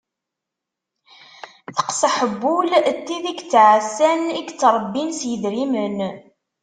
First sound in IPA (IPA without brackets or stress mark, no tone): θ